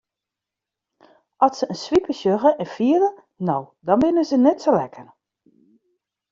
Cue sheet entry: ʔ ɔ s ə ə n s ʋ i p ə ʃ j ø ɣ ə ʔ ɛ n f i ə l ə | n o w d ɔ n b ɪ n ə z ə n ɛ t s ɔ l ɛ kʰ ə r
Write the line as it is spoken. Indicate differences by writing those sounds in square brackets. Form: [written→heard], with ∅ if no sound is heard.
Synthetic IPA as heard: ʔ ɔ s ə ə n s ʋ i p ə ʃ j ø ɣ ə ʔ ɛ n f i ə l ə | n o w d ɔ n b ɪ n ə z ə n ɛ t s [ɔ→o] l ɛ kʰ ə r